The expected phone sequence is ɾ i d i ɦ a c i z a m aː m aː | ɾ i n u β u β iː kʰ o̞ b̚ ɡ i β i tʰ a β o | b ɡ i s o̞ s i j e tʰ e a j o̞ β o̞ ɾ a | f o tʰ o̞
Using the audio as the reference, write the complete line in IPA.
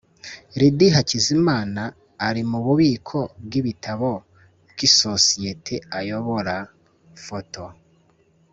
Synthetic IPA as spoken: ɾ i d i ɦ a c i z i m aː n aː | ɾ i m u β u β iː kʰ o̞ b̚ ɡ i β i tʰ a β o | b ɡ i s o̞ s i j e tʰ e a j o̞ β o̞ ɾ a | f o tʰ o̞